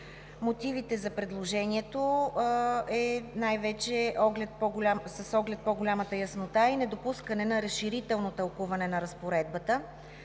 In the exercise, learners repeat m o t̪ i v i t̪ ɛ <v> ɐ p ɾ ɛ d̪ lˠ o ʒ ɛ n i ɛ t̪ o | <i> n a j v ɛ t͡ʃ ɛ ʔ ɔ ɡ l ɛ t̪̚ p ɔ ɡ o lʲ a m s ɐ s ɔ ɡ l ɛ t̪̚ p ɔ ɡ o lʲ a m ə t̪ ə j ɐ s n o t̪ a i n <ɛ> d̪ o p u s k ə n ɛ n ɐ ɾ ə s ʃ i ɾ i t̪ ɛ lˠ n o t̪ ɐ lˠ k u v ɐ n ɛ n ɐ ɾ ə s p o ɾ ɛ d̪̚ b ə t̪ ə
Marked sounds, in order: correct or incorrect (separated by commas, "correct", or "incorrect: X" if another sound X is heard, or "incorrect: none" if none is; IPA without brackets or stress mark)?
incorrect: z, incorrect: ɛ, correct